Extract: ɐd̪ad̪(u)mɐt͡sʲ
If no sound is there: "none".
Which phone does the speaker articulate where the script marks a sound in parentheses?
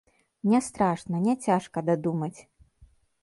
u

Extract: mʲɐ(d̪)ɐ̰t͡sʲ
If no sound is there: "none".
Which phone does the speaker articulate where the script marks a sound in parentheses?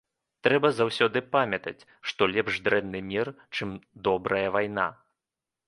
t̪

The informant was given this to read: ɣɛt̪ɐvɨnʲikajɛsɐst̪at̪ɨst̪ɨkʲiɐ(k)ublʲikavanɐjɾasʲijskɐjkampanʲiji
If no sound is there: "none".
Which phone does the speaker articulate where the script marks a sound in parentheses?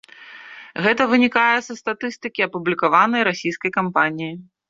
p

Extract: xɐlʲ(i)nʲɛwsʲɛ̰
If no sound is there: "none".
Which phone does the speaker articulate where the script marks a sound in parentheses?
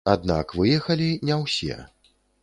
i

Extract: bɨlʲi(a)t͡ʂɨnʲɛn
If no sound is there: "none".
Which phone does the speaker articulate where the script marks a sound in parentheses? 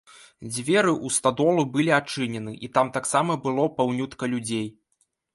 a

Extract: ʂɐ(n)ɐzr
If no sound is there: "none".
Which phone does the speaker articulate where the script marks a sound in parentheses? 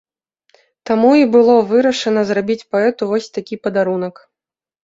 n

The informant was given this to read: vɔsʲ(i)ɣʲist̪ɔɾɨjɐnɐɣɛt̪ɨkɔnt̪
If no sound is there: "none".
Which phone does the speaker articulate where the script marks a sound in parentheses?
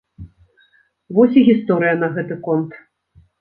i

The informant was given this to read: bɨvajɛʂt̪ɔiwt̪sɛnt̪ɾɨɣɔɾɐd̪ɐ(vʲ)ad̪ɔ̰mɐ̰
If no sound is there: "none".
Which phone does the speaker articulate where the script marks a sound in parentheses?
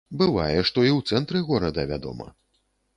vʲ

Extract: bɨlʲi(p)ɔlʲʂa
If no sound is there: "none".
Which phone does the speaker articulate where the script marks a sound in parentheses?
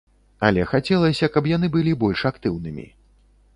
b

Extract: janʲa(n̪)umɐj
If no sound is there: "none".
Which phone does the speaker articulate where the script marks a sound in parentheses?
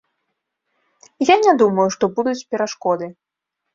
d̪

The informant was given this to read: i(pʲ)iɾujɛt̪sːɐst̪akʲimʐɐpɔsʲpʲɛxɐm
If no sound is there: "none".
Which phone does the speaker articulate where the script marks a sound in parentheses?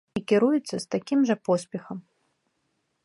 kʲ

